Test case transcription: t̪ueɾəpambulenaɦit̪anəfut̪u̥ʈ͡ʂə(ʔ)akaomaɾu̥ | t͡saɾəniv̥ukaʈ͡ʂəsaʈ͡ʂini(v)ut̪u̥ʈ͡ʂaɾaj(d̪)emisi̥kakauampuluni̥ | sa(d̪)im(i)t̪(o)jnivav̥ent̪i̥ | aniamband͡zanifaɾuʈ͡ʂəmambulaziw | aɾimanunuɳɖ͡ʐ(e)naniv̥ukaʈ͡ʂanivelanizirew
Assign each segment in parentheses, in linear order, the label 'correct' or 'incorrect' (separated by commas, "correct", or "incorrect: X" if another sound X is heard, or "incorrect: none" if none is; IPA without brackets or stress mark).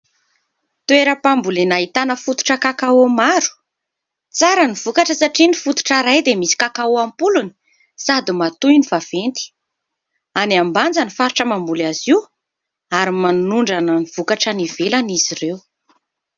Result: incorrect: k, incorrect: f, correct, correct, incorrect: a, incorrect: u, incorrect: a